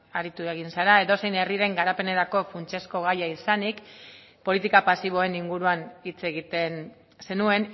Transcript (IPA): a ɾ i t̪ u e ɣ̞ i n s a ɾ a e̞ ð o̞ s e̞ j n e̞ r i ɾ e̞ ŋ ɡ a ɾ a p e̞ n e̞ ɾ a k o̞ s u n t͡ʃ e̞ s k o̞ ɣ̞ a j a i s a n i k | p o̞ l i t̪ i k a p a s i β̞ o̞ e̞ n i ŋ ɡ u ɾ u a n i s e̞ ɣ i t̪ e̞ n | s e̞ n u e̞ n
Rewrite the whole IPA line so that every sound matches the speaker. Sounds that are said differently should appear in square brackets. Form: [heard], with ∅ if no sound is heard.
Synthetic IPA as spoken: a ɾ i t̪ u e ɣ̞ i n s a ɾ a e̞ ð o̞ s e̞ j n e̞ r i ɾ e̞ ŋ ɡ a ɾ a p e̞ n e̞ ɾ a k o̞ [f] u n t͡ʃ e̞ s k o̞ ɣ̞ a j a i s a n i k | p o̞ l i t̪ i k a p a s i β̞ o̞ e̞ n i ŋ ɡ u ɾ u a n i [t͡s] e̞ ɣ i t̪ e̞ n | s e̞ n u e̞ n

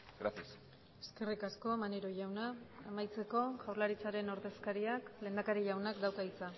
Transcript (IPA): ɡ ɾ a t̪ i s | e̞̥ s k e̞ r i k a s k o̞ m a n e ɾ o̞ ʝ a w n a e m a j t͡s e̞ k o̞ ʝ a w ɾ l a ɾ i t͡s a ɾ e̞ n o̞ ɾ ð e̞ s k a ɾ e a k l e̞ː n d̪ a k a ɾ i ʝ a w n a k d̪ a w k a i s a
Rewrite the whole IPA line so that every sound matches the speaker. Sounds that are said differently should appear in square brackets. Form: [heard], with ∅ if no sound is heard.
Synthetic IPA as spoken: ɡ ɾ a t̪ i s | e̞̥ s k e̞ r i k a s k o̞ m a n e ɾ o̞ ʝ a w n a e m a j t͡s e̞ k o̞ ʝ a w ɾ l a ɾ i t͡s a ɾ e̞ n o̞ ɾ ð e̞ s k a ɾ [i] a k l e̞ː n d̪ a k a ɾ i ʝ a w n a k d̪ a w k a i [t͡s] a

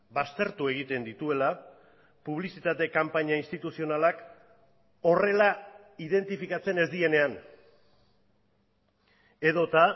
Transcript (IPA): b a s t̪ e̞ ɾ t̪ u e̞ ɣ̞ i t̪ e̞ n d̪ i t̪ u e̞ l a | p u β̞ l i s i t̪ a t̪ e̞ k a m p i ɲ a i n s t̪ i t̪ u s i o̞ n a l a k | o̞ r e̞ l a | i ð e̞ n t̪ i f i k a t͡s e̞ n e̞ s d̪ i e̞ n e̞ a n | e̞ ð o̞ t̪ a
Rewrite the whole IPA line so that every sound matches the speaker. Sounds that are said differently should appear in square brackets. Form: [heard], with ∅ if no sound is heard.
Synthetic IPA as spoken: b a s t̪ e̞ ɾ t̪ u e̞ ɣ̞ i t̪ e̞ n d̪ i t̪ u e̞ l a | p u β̞ l i s i t̪ a t̪ e̞ k a m p [a] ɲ a i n s t̪ i t̪ u s i o̞ n a l a k | o̞ r e̞ l a | i ð e̞ n t̪ i f i k a t͡s e̞ n e̞ [z] d̪ i e̞ n e̞ a n | e̞ ð o̞ t̪ a

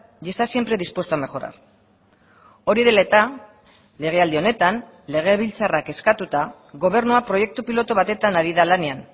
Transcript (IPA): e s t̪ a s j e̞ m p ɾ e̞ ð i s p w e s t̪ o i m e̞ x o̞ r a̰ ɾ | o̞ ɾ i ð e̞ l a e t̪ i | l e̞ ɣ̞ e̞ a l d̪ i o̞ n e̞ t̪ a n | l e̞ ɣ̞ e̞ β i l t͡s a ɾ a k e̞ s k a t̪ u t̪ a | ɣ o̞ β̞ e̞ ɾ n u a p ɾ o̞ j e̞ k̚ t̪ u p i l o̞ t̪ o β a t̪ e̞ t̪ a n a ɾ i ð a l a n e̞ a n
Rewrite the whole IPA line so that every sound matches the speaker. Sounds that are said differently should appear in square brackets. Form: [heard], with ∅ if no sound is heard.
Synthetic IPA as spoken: e s t̪ a s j e̞ m p ɾ e̞ ð i s p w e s t̪ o [a] m e̞ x o̞ [ɾ] a̰ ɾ | o̞ ɾ i ð e̞ l a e t̪ [a] | l e̞ ɣ̞ e̞ a l d̪ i o̞ n e̞ t̪ a n | l e̞ ɣ̞ e̞ β i l t͡s a [r] a k e̞ s k a t̪ u t̪ a | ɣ o̞ β̞ e̞ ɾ n u a p ɾ o̞ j e̞ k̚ t̪ u p i l o̞ t̪ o β a t̪ e̞ t̪ a n a ɾ i ð a l a n e̞ a n

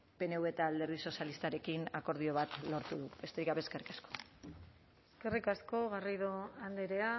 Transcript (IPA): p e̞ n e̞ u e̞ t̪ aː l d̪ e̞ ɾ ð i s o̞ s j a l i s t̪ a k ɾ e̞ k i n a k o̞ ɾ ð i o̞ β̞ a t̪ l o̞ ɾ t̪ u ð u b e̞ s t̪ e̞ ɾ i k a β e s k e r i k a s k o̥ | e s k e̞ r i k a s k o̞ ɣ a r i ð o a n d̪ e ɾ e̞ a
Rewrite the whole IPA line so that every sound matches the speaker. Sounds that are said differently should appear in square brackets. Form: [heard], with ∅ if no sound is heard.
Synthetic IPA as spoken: p e̞ n e̞ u e̞ t̪ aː l d̪ e̞ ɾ ð i s o̞ s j a l i s t̪ a [∅] ɾ e̞ k i n a k o̞ ɾ ð i o̞ β̞ a t̪ l o̞ ɾ t̪ u ð u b e̞ s t̪ e̞ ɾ i k a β e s k e r i k a s k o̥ | e s k e̞ r i k a s k o̞ ɣ a r i ð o a n d̪ e ɾ e̞ a

